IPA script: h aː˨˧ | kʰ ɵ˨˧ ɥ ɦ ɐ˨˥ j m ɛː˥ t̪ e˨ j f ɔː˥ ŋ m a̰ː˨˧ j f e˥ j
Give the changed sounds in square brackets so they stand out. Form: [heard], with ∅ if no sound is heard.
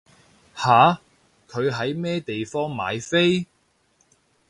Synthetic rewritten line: h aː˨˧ | kʰ ɵ˨˧ ɥ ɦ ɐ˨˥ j m ɛː˥ t̪ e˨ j f ɔː˥ ŋ m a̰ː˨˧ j f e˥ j